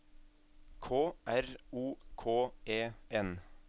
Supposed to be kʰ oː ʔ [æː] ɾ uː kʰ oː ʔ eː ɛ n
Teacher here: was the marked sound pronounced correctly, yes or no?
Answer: no